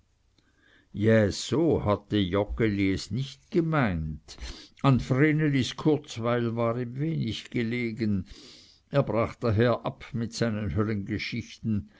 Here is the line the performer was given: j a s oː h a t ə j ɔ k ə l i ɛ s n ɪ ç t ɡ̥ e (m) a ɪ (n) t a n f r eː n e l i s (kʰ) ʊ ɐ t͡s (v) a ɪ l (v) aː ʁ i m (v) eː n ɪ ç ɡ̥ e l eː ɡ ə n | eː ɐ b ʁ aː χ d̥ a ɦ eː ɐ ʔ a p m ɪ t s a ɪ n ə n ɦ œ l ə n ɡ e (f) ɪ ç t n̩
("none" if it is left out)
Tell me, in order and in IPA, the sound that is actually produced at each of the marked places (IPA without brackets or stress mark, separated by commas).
m, n, kʰ, v, v, v, ʃ